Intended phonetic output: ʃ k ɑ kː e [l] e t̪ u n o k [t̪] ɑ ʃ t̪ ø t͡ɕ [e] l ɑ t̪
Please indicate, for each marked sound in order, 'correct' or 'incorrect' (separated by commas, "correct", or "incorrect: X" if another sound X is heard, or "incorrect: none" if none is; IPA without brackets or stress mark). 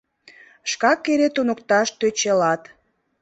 incorrect: ɾ, correct, correct